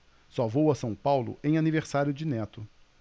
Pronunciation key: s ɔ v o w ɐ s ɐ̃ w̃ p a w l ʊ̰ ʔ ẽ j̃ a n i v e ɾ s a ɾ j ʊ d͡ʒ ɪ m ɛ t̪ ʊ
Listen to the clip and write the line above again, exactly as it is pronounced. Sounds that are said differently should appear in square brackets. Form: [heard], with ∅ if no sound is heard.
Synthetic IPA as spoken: s ɔ v o w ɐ s ɐ̃ w̃ p a w l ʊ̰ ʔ ẽ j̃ a n i v e ɾ s a ɾ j ʊ d͡ʒ ɪ [n] ɛ t̪ ʊ